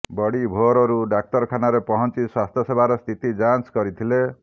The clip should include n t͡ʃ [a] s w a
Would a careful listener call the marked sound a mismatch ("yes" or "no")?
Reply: yes